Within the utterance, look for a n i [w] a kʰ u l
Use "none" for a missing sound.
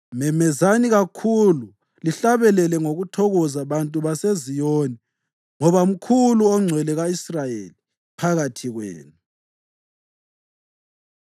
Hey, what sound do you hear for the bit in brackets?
ɣ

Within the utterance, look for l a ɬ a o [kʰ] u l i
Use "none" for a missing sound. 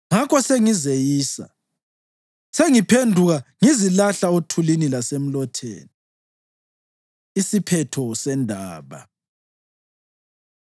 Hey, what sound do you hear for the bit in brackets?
tʰ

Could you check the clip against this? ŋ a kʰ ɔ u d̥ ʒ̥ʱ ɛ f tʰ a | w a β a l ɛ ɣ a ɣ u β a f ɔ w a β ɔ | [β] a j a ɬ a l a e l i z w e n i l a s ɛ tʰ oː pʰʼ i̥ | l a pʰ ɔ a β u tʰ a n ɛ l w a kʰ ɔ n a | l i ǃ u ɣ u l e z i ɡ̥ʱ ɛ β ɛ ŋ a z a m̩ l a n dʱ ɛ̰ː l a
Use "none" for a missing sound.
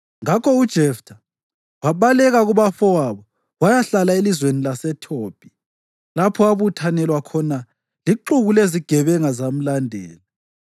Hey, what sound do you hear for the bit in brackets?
w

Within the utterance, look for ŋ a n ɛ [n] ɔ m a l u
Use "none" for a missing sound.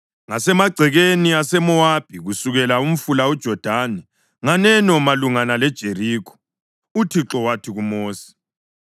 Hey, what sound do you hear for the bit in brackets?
n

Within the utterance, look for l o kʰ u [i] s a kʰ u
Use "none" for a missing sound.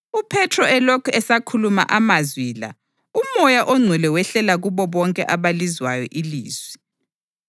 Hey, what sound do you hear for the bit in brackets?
ɛ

